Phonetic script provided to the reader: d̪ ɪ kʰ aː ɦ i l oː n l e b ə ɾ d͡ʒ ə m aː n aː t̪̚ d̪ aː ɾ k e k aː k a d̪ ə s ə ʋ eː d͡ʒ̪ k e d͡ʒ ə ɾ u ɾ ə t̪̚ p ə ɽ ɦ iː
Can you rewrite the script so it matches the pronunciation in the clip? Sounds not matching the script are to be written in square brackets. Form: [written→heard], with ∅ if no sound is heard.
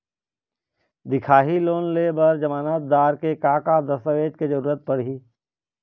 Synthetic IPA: d̪ ɪ kʰ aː ɦ i l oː n l e b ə ɾ d͡ʒ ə m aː n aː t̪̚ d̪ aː ɾ k e k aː k a d̪ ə s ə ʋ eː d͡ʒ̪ k e d͡ʒ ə ɾ [u→uː] ɾ ə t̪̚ p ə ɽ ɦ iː